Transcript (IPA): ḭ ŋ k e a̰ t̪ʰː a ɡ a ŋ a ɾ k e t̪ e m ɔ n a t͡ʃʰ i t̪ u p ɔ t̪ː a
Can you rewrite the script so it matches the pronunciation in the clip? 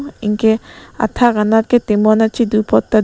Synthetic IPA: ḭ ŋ k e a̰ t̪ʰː a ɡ a n a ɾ k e t̪ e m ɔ n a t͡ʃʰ i d̪ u p ɔ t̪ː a